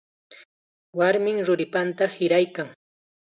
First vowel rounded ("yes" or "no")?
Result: no